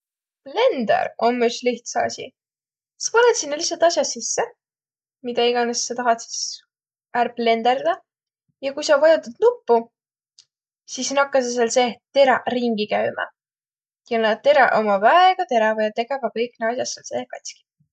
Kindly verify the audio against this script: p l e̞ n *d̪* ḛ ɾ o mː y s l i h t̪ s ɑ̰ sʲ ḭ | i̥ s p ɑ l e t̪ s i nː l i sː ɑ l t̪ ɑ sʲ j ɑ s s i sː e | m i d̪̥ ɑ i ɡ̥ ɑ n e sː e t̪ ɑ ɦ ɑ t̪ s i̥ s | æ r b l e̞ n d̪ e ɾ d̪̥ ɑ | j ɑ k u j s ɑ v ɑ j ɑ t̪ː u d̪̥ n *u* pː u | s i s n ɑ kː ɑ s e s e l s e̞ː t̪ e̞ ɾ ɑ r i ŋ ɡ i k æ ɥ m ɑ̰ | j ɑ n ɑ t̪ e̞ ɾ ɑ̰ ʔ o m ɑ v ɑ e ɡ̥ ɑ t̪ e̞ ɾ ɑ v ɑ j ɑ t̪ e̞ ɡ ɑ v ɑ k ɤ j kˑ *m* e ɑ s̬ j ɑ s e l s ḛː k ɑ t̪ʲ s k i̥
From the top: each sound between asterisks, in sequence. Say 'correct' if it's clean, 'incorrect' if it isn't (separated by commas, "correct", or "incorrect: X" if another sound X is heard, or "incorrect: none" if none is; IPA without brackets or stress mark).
correct, correct, incorrect: n